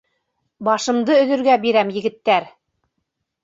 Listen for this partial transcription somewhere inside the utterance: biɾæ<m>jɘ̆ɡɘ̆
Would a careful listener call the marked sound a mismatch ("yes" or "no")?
no